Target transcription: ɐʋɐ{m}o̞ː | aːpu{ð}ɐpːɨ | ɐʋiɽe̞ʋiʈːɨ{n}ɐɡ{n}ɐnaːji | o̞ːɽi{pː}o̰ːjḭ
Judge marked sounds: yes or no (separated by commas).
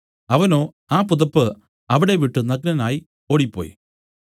no, yes, yes, yes, yes